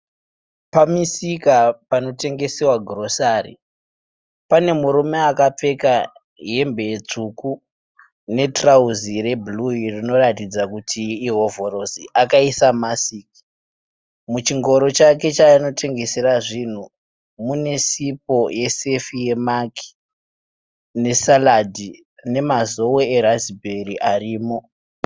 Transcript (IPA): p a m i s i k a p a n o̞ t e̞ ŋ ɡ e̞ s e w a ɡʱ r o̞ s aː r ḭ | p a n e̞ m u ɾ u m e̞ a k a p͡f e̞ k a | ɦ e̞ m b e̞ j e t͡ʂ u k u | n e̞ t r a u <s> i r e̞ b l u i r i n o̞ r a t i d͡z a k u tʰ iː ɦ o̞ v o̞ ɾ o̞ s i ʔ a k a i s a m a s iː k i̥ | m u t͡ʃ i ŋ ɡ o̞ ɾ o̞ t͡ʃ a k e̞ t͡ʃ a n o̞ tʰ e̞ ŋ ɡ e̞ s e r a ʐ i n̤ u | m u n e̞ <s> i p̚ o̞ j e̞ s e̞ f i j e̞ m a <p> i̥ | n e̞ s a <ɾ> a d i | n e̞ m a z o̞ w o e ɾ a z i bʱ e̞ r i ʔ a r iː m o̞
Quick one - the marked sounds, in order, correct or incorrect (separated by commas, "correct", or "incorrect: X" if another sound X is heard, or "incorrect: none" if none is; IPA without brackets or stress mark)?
incorrect: z, correct, incorrect: k, incorrect: l